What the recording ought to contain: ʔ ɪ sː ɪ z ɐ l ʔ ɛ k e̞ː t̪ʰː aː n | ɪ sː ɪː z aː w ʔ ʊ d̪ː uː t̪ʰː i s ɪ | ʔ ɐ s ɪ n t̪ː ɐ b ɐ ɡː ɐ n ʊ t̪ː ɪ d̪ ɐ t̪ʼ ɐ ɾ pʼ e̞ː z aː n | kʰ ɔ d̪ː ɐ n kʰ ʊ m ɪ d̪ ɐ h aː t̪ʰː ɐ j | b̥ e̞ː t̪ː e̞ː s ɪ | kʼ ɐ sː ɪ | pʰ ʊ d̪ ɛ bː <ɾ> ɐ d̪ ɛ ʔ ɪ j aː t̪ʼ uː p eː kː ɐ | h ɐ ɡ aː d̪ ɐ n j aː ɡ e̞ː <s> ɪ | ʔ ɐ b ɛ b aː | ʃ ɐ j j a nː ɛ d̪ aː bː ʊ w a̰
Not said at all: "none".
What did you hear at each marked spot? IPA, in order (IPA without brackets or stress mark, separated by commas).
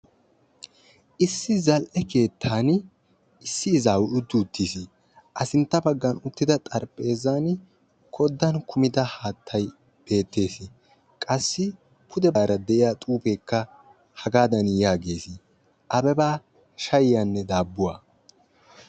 ɾ, s